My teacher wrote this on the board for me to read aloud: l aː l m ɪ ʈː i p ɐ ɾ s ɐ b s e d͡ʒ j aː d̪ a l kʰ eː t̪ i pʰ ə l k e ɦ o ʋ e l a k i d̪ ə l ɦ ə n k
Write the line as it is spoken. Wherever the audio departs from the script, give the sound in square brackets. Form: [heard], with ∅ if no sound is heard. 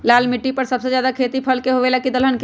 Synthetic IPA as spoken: l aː l m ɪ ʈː i p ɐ ɾ s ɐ b s e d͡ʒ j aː d̪ a [∅] kʰ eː t̪ i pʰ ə l k e ɦ o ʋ e l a k i d̪ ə l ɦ ə n k